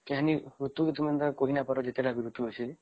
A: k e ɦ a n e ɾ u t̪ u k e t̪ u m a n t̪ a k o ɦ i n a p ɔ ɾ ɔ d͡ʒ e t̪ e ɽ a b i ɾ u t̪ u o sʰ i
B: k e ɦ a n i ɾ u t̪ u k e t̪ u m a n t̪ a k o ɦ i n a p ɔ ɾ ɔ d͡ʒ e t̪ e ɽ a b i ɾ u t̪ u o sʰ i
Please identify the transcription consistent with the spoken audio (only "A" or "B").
B